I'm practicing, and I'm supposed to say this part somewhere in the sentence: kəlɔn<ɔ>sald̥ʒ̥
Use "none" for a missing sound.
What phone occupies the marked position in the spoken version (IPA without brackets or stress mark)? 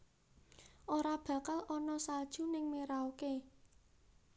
ɔ